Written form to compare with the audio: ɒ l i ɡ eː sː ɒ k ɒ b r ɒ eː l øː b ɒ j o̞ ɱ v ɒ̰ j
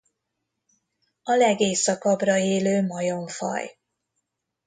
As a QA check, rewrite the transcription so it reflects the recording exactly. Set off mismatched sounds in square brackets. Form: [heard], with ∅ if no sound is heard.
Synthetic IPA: ɒ l [ɛ] ɡ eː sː ɒ k ɒ b r ɒ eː l øː [m] ɒ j o̞ ɱ [f] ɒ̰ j

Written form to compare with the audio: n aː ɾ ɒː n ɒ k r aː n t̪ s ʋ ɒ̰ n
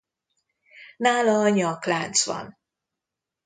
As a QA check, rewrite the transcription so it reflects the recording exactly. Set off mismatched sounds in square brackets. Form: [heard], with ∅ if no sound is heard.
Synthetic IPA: n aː [l] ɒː [ɲ] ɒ k [l] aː n t̪ s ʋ ɒ̰ n

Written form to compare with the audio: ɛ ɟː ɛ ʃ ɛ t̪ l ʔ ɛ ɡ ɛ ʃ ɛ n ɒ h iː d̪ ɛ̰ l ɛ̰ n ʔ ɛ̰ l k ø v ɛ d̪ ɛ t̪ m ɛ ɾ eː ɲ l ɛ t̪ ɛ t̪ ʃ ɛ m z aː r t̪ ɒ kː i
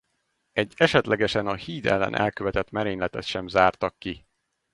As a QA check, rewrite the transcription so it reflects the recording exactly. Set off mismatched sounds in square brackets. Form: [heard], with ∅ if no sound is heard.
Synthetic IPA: ɛ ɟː ɛ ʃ ɛ t̪ l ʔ ɛ ɡ ɛ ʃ ɛ n ɒ h iː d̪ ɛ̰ [lː] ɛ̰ n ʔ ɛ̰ l k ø v ɛ [t̪] ɛ t̪ m ɛ ɾ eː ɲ l ɛ t̪ ɛ t̪ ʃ ɛ m z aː r t̪ ɒ kː i

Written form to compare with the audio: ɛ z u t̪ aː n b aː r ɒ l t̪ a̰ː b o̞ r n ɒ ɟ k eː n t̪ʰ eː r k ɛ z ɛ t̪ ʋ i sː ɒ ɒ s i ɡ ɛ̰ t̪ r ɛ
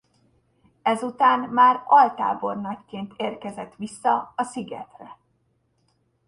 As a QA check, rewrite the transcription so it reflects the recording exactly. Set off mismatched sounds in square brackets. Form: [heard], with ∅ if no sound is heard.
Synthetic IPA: ɛ z u t̪ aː n [m] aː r ɒ l t̪ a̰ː b o̞ r n ɒ [c] k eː n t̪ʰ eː r k ɛ z ɛ t̪ ʋ i sː ɒ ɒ s i ɡ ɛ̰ t̪ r ɛ

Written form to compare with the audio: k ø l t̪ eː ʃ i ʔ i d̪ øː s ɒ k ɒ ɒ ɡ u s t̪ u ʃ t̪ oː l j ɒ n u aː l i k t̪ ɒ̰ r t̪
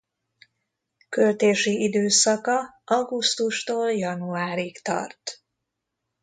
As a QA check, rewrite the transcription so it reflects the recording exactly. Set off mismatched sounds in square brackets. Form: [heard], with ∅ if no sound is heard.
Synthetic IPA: k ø l t̪ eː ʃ i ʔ i d̪ øː s ɒ k ɒ ɒ ɡ u s t̪ u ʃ t̪ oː l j ɒ n u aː [ɾ] i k t̪ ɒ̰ r t̪

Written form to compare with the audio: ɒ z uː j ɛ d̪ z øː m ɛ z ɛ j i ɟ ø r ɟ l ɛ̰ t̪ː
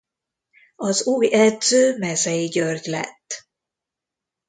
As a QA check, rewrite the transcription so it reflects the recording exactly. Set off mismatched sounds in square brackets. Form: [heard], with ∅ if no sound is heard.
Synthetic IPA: ɒ z uː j ɛ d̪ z øː m ɛ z ɛ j i ɟ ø r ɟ l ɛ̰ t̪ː

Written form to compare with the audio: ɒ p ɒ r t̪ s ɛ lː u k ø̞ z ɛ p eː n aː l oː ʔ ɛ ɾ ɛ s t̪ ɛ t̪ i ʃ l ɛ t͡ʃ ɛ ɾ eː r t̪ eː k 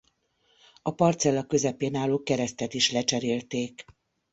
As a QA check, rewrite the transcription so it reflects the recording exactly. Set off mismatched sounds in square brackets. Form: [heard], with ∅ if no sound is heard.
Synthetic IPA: ɒ p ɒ r t̪ s ɛ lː [ɒ] k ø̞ z ɛ p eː n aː l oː [k] ɛ ɾ ɛ s t̪ ɛ t̪ i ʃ l ɛ t͡ʃ ɛ ɾ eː [l] t̪ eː k

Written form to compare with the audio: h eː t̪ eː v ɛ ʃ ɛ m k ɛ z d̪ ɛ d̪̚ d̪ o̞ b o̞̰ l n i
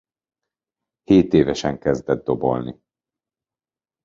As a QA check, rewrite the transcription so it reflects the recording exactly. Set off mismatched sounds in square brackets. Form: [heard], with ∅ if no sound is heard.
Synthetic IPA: h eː t̪ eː v ɛ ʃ ɛ [ŋ] k ɛ z d̪ ɛ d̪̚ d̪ o̞ b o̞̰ l n i

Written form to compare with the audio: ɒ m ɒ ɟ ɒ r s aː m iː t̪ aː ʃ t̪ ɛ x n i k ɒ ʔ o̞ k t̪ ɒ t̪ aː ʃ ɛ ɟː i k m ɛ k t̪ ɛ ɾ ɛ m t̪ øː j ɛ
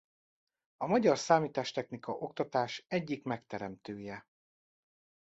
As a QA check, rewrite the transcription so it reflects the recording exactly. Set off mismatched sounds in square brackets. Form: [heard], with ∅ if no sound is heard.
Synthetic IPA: ɒ m ɒ ɟ ɒ r s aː m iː t̪ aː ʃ t̪ ɛ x n i k ɒ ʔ o̞ k t̪ ɒ t̪ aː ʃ ɛ ɟː i k m ɛ k t̪ ɛ ɾ ɛ m t̪ øː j ɛ

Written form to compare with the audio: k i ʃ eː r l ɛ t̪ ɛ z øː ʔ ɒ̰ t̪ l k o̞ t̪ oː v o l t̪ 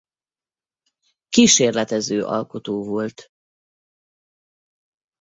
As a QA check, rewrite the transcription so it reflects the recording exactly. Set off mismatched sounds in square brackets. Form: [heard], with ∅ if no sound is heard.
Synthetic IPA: k i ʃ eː r l ɛ t̪ ɛ z øː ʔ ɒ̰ [∅] l k o̞ t̪ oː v o l t̪

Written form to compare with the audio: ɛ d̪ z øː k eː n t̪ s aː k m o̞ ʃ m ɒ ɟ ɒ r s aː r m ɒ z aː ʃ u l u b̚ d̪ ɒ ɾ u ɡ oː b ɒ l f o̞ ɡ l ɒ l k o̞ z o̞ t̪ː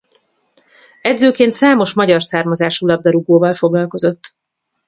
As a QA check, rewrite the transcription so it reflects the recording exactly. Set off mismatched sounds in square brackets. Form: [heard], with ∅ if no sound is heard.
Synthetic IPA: ɛ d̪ z øː k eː n t̪ s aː [∅] m o̞ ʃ m ɒ ɟ ɒ r s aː r m ɒ z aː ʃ u l [ɒ] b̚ d̪ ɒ ɾ u ɡ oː [v] ɒ l f o̞ ɡ l ɒ l k o̞ z o̞ t̪ː

